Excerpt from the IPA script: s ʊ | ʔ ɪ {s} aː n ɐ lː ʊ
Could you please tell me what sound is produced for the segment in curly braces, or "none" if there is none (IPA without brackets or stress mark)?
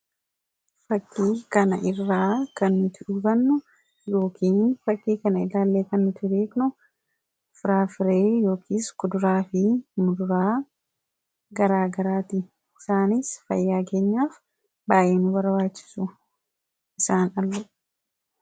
s